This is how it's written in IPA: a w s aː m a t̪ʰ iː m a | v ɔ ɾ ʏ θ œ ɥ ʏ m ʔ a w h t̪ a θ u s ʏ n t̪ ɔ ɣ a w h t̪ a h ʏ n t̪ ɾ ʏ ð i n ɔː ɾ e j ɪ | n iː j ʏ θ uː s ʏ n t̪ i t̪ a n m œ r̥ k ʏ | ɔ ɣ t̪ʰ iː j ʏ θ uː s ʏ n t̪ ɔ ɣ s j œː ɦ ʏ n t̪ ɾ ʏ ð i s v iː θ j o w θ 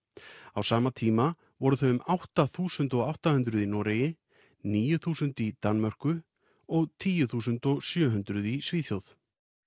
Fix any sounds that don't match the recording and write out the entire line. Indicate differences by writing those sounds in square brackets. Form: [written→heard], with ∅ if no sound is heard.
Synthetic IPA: a w s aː m a t̪ʰ iː m a | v ɔ ɾ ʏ θ œ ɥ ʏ m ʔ a w h t̪ a θ [u→uː] s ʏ n t̪ ɔ ɣ a w h t̪ a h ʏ n t̪ ɾ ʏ ð i n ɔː ɾ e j ɪ | n iː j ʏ θ uː s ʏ n t̪ i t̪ a n m œ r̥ k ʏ | ɔ ɣ t̪ʰ iː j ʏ θ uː s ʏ n t̪ ɔ ɣ s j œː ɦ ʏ n t̪ ɾ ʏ ð i s v iː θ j o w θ